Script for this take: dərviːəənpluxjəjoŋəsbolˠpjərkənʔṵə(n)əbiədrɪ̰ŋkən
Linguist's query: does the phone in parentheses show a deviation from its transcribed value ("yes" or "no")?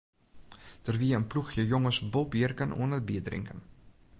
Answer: no